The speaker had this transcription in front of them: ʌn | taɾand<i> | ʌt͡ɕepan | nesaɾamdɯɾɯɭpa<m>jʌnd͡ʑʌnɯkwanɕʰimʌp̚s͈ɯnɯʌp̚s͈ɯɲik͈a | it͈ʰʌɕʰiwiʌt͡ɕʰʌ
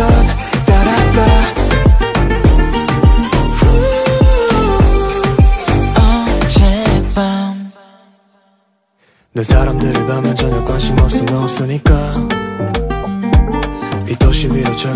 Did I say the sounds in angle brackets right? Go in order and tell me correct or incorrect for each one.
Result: incorrect, correct

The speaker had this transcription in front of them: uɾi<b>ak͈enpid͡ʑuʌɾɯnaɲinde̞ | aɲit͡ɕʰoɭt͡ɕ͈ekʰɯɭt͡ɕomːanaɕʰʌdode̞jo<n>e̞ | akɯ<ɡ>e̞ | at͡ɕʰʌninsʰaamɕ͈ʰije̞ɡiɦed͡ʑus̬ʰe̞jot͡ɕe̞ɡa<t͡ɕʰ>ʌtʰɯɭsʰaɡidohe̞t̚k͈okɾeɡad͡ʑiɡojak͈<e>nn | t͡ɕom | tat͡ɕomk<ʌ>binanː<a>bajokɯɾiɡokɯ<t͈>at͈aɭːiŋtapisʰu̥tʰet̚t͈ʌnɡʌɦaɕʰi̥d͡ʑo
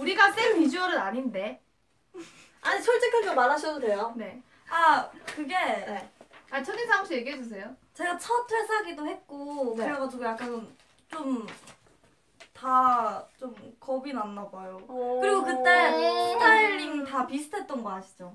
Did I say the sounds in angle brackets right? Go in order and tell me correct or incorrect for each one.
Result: incorrect, correct, correct, correct, incorrect, correct, correct, correct

